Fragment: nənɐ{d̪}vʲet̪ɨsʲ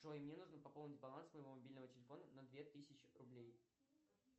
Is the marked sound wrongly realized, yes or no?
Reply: no